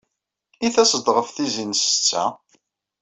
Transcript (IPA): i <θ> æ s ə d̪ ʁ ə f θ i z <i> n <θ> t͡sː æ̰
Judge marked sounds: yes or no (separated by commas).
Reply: yes, yes, no